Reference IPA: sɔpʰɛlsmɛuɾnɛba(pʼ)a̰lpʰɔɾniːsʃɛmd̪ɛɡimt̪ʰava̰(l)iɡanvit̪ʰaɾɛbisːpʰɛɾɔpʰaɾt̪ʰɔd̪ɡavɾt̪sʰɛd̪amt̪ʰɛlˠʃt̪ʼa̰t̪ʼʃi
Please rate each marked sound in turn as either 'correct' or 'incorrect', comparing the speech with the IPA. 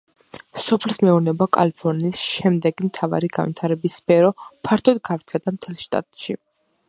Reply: incorrect, incorrect

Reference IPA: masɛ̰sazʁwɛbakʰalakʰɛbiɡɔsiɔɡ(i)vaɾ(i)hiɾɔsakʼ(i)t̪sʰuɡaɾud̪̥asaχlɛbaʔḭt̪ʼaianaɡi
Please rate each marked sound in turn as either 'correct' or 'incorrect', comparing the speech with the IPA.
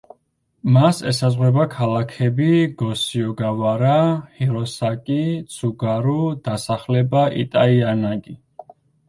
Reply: incorrect, incorrect, correct

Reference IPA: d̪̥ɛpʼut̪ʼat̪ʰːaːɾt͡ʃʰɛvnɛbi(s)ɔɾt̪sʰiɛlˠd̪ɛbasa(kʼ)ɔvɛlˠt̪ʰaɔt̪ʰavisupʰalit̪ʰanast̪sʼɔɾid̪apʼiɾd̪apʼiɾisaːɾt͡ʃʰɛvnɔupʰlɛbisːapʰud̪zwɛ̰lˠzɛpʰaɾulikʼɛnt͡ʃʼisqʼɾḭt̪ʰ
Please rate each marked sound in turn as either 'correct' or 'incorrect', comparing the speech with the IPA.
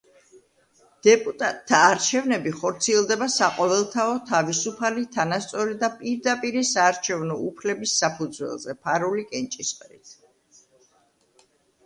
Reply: incorrect, incorrect

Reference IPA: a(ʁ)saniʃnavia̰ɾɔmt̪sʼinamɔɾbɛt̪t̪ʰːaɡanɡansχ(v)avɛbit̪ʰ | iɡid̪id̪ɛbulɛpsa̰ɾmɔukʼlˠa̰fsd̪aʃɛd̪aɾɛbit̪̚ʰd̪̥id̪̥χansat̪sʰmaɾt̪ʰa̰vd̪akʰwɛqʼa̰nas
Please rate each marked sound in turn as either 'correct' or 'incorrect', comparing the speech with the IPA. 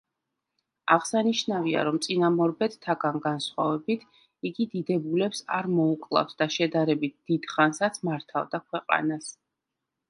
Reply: correct, incorrect

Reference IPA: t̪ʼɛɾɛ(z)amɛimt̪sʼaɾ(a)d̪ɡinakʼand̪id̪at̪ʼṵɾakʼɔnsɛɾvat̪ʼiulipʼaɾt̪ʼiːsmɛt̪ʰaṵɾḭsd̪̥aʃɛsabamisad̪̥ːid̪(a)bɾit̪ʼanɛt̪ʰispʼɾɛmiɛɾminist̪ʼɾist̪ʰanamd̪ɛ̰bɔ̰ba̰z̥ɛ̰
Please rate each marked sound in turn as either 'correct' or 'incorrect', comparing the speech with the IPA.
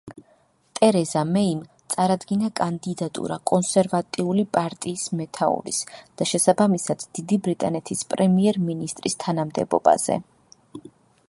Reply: correct, correct, incorrect

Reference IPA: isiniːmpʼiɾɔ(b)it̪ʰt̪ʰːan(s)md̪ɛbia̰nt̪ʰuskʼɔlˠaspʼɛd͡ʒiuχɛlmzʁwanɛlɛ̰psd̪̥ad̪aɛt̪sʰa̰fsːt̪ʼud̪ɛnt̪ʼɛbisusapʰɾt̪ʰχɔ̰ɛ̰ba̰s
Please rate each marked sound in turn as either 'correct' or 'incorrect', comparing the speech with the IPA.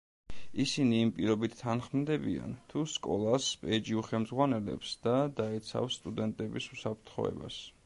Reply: correct, incorrect

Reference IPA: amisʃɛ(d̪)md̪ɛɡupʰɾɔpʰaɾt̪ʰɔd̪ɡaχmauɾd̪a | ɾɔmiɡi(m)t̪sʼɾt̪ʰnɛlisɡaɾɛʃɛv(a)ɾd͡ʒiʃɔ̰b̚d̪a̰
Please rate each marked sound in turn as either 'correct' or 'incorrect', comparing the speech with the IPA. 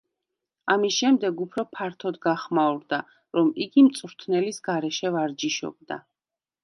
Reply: incorrect, correct, correct

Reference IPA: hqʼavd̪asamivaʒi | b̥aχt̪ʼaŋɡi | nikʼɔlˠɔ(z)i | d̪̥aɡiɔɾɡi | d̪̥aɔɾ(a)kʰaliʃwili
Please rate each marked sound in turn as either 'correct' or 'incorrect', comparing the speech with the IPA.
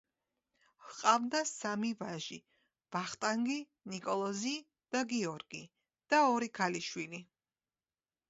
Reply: correct, incorrect

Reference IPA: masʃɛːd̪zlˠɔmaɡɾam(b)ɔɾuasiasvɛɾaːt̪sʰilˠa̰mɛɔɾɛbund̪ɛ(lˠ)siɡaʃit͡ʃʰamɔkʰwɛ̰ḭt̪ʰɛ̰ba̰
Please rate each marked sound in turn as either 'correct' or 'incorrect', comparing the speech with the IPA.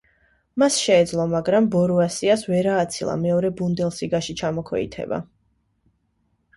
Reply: correct, correct

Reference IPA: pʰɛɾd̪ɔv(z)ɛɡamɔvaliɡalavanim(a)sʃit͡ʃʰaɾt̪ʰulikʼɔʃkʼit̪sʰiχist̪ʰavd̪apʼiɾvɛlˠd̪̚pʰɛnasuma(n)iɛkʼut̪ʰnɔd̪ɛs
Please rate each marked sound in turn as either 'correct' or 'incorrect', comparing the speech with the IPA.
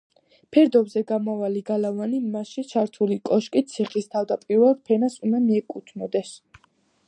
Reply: correct, correct, incorrect

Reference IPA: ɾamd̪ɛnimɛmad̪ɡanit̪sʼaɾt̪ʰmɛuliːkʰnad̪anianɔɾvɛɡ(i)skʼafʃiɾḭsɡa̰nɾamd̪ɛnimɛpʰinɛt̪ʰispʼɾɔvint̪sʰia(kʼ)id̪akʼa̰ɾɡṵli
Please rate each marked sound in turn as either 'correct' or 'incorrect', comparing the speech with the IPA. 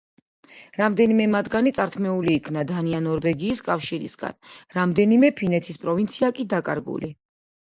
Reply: incorrect, correct

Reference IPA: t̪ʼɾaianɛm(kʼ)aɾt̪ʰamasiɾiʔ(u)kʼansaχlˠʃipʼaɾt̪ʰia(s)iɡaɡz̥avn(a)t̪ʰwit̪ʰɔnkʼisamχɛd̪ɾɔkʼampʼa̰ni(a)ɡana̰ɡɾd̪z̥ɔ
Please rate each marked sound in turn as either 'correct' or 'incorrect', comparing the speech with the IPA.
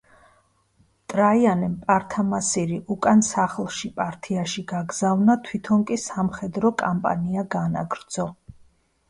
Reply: incorrect, correct, incorrect, correct, correct

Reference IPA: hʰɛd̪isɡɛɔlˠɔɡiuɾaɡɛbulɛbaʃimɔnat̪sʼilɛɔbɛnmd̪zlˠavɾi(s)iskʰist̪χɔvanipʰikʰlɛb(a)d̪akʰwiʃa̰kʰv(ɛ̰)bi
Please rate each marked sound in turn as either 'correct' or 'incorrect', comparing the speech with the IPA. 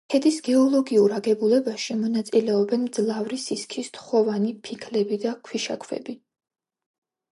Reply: correct, incorrect, correct

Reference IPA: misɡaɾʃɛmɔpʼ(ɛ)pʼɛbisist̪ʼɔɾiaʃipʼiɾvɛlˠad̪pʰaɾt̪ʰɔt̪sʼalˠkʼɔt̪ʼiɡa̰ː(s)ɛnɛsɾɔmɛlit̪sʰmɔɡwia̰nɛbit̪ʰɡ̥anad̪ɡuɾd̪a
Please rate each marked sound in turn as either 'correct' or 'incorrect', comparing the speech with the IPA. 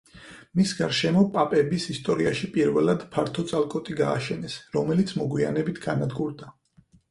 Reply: incorrect, incorrect

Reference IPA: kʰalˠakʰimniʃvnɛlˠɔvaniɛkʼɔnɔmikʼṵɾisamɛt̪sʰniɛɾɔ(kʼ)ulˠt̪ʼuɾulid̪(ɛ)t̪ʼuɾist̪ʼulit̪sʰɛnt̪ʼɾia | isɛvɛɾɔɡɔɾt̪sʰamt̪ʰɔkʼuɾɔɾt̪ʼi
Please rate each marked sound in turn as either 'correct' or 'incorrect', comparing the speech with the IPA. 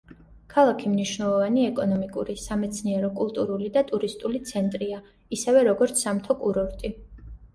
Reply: correct, incorrect

